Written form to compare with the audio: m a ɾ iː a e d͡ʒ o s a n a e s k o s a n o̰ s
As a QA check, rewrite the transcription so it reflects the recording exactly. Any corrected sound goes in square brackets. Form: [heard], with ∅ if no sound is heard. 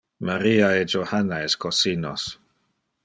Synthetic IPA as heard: m a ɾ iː a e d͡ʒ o [h] a n a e s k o s [i] n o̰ s